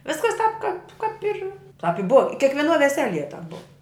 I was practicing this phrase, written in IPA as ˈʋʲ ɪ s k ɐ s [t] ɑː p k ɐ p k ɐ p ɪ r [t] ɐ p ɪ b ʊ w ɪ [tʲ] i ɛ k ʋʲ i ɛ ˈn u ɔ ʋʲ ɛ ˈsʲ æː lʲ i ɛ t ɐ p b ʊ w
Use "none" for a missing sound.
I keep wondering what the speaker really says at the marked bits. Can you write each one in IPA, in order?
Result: t, t, kʲ

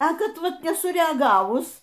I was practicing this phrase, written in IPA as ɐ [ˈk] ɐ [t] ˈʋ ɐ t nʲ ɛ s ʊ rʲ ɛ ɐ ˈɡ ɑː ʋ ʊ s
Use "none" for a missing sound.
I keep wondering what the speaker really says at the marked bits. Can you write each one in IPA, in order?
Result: k, t

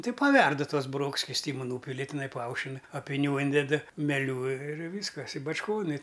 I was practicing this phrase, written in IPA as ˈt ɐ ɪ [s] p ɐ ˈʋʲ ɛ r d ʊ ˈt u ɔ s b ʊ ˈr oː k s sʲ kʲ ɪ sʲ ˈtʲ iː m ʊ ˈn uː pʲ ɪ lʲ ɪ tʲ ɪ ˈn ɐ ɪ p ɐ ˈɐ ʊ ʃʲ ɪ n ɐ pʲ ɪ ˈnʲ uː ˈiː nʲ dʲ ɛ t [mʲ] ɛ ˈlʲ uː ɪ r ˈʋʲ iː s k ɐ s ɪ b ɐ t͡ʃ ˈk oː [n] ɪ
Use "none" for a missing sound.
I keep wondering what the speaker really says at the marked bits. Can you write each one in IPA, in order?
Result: none, mʲ, n

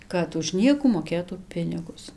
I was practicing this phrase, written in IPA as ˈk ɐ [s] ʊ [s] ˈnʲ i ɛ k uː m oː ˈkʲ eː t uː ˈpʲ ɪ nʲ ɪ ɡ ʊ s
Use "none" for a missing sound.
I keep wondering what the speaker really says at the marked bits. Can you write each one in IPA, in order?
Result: t, ʃ

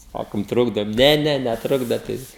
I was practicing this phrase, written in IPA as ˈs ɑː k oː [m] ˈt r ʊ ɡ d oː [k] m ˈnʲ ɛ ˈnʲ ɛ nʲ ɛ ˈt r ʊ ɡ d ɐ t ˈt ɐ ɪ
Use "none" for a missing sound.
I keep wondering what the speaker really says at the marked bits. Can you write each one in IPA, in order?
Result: m, none

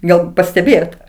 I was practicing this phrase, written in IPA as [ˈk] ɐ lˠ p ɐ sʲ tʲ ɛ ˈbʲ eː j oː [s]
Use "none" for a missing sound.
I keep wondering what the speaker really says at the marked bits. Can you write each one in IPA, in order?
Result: ɡ, t

